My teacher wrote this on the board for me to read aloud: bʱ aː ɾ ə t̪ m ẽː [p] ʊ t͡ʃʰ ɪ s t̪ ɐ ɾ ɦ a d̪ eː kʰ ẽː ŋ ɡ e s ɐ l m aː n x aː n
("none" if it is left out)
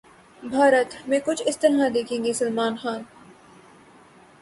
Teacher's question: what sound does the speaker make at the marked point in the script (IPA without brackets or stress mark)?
k